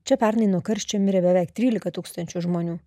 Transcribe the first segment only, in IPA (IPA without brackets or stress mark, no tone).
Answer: t͡ʃʲ